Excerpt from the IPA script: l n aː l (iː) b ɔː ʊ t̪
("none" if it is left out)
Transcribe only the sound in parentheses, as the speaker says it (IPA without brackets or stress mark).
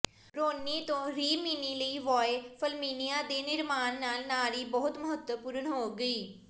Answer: iː